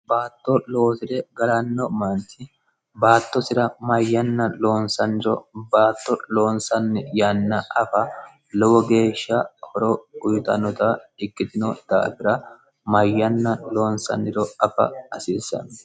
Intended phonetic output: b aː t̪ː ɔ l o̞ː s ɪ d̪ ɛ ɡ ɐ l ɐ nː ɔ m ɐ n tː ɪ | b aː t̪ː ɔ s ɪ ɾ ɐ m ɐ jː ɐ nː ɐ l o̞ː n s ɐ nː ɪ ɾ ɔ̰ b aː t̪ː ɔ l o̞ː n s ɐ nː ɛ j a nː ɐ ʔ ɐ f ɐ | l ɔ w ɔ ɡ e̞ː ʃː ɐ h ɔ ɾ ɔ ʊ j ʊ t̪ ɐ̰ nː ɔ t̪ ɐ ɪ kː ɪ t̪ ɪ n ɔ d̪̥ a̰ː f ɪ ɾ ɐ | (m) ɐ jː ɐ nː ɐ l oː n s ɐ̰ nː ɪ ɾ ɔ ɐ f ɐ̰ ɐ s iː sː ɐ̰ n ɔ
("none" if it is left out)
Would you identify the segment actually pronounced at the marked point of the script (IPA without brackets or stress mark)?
m